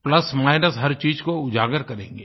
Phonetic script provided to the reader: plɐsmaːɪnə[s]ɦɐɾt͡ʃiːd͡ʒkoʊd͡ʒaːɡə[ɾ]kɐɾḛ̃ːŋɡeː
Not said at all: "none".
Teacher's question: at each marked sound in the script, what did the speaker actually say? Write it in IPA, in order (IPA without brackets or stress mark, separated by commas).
s, ɾ